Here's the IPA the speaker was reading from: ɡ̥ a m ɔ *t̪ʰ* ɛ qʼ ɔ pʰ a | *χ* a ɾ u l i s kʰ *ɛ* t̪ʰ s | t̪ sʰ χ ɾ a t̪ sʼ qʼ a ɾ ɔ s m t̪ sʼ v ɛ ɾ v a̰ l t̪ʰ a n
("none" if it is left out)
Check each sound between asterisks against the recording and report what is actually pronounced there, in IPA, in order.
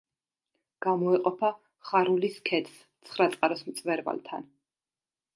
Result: none, χ, ɛ

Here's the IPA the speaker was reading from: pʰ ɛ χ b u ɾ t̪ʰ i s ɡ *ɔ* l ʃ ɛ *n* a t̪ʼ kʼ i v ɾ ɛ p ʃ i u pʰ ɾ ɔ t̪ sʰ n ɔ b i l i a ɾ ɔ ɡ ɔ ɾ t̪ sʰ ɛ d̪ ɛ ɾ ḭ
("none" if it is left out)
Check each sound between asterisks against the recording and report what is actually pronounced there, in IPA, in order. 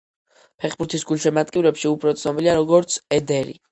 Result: u, m

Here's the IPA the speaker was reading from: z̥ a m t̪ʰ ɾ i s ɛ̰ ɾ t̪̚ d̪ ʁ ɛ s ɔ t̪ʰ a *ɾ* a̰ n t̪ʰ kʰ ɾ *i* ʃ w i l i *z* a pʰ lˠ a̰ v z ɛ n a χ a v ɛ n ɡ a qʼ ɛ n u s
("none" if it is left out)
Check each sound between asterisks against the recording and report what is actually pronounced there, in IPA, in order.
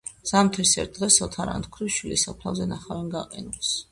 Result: ɾ, i, s

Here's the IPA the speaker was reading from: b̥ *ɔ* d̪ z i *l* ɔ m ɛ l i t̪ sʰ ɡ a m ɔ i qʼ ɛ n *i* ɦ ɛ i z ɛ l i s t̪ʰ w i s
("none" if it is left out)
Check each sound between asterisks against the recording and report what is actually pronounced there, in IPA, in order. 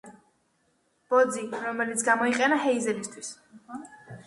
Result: ɔ, ɾ, a

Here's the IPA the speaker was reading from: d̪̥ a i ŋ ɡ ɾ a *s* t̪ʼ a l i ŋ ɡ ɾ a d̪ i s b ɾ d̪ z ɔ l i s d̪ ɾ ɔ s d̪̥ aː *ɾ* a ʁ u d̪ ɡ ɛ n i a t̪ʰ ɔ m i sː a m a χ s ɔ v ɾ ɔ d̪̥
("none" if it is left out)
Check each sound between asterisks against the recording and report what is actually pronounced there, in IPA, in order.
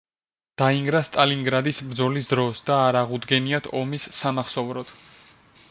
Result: s, ɾ

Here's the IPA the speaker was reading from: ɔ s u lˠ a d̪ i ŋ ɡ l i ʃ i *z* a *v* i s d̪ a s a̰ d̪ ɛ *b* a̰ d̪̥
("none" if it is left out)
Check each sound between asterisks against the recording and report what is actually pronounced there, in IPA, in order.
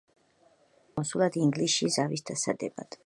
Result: z, v, b

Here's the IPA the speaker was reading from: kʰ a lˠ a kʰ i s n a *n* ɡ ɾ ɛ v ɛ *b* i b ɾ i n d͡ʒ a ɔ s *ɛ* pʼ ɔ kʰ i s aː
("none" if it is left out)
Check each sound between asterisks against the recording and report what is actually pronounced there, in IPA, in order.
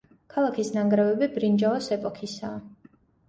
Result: ŋ, b, ɛ

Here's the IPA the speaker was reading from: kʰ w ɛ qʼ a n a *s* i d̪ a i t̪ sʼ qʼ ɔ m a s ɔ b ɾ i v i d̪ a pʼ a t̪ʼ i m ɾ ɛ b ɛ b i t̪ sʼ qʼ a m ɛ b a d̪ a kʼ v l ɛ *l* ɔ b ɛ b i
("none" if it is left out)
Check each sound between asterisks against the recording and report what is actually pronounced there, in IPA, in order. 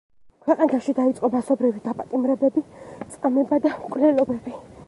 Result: ʃ, l

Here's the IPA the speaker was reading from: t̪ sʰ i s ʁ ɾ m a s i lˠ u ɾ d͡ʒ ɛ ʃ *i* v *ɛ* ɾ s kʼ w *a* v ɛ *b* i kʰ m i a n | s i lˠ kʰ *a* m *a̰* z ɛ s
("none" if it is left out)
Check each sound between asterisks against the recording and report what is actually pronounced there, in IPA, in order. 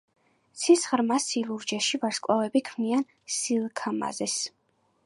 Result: i, a, a, b, a, a̰

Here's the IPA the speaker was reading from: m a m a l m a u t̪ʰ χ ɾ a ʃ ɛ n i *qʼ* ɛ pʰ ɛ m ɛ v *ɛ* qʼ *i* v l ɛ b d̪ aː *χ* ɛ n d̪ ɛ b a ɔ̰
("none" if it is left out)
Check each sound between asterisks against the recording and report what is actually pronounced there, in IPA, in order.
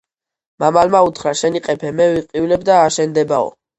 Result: qʼ, i, i, ʃ

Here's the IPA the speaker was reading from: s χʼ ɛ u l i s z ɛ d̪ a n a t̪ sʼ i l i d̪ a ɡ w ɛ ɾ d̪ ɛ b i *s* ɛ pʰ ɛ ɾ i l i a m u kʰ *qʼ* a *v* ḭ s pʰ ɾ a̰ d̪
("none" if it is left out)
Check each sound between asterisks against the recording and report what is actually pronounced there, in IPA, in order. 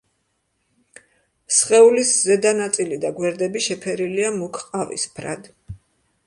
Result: ʃ, qʼ, v

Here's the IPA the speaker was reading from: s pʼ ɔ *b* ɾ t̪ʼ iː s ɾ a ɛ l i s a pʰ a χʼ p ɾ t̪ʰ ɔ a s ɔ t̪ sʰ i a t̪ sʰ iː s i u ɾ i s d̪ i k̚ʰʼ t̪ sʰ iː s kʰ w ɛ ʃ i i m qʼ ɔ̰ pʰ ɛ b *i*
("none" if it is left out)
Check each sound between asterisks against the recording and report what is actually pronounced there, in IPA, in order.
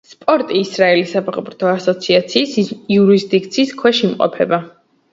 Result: none, a

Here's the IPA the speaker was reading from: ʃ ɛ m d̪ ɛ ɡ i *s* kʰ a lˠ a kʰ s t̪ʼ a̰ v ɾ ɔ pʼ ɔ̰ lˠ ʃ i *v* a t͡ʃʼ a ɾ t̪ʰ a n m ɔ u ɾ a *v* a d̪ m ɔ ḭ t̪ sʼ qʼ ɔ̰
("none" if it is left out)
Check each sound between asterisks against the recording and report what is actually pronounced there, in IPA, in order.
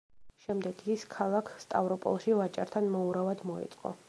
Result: s, v, v

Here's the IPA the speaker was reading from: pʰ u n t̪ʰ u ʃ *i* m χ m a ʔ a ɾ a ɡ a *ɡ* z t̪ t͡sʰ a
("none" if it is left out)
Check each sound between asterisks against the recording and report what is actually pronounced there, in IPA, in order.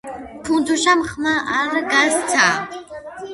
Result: a, none

